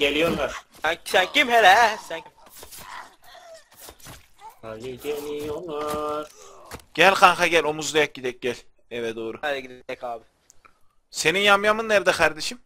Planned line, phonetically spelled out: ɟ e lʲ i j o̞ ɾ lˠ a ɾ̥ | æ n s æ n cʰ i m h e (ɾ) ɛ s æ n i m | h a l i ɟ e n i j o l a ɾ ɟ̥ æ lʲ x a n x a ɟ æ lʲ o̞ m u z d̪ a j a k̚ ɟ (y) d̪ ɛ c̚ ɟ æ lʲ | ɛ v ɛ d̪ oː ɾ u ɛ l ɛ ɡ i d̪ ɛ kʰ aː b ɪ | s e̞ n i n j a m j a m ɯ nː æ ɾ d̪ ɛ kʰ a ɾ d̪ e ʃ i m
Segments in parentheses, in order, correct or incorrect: incorrect: l, incorrect: i

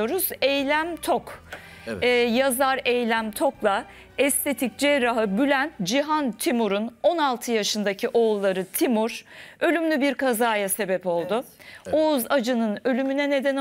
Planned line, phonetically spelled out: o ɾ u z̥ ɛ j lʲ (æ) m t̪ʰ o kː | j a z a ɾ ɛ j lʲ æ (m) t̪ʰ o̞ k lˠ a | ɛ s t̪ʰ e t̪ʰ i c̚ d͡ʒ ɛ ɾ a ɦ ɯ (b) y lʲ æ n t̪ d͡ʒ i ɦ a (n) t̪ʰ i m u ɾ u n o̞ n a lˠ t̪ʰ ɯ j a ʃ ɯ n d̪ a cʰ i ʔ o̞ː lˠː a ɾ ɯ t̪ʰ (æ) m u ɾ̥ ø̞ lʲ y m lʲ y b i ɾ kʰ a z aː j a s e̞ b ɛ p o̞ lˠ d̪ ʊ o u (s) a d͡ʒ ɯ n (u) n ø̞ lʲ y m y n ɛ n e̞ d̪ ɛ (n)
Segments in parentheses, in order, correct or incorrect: correct, correct, correct, correct, incorrect: i, incorrect: z, incorrect: ɯ, correct

